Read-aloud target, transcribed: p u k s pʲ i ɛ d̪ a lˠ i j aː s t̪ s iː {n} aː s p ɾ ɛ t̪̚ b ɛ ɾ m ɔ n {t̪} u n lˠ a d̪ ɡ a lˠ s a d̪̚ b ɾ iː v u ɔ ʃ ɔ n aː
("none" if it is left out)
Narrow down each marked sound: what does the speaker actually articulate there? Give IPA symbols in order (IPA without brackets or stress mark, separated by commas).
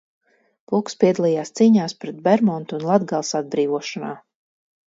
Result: ɲ, t̪